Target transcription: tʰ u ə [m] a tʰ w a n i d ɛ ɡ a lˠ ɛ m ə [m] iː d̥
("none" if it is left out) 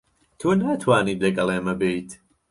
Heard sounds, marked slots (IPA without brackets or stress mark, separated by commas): n, b